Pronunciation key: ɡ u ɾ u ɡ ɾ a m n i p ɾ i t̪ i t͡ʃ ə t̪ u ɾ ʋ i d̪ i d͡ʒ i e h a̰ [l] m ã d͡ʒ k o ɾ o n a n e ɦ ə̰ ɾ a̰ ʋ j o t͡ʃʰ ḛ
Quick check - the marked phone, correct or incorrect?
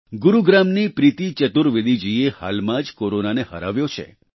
correct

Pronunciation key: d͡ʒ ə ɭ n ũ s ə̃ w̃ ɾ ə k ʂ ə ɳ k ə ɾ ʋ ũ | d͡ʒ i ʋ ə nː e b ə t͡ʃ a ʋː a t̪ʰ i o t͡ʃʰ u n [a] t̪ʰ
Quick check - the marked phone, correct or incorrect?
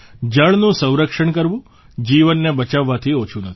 incorrect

